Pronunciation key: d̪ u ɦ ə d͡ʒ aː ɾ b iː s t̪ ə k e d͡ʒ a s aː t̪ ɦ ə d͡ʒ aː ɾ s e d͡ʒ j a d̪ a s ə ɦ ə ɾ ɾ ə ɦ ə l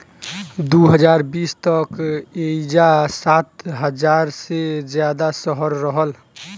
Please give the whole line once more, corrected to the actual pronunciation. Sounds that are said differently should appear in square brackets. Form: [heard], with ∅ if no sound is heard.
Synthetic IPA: d̪ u ɦ ə d͡ʒ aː ɾ b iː s t̪ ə k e d͡ʒ a s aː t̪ ɦ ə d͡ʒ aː ɾ s e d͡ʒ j a d̪ a s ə ɦ ə ɾ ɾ ə ɦ ə l